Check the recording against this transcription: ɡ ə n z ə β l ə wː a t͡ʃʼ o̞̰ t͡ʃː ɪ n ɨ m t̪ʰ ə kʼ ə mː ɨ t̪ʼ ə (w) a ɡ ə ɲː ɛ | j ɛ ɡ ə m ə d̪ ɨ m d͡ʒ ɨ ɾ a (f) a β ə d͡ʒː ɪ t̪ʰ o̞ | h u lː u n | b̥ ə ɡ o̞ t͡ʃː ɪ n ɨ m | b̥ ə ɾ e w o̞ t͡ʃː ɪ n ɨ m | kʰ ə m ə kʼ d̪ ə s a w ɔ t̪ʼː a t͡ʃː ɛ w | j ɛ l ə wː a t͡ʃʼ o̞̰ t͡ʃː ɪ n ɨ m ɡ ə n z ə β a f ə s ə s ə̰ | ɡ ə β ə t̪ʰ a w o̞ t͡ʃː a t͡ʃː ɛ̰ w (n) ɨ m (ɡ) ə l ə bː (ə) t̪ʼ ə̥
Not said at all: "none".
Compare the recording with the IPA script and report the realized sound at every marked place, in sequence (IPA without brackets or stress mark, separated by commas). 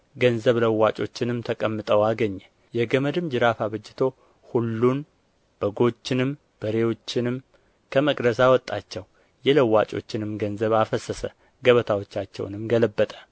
w, f, n, ɡ, ə